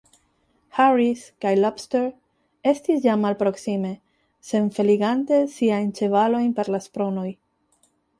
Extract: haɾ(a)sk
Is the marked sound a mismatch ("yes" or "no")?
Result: yes